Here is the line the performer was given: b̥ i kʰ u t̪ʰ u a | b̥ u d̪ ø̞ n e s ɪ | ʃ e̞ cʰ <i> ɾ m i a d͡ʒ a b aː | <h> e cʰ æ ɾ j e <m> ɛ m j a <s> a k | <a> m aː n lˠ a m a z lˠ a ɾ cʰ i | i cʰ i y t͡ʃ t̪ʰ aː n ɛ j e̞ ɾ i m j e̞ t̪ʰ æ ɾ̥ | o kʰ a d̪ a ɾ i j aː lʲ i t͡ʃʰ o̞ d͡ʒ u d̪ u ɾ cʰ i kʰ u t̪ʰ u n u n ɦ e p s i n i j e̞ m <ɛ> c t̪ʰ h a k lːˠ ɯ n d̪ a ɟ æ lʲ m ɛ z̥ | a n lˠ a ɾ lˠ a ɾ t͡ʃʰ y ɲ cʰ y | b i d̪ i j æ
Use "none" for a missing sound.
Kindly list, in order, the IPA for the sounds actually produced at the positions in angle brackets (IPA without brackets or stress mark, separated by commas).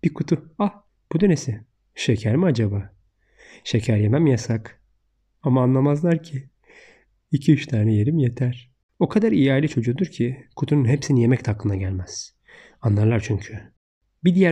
æ, ʃ, m, s, a, ɛ